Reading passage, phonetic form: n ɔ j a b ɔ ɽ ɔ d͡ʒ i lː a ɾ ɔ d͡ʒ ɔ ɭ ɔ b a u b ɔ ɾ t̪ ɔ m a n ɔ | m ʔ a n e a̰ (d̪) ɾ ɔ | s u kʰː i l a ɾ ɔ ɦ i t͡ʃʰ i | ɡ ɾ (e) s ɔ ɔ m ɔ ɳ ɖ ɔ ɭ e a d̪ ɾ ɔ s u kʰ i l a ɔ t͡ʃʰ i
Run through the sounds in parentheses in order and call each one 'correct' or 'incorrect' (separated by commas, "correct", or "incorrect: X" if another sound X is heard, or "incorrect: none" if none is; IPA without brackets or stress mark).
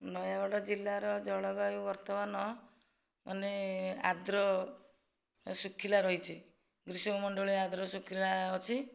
correct, incorrect: i